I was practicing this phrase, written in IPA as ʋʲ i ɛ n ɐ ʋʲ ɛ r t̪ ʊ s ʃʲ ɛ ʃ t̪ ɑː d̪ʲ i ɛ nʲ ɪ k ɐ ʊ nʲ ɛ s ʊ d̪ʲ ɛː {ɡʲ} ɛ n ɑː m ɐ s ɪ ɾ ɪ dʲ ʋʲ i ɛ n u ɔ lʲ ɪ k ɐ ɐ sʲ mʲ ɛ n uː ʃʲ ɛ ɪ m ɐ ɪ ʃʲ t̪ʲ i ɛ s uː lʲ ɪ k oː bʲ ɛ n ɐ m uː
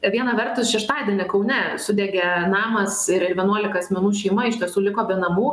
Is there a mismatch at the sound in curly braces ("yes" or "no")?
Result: no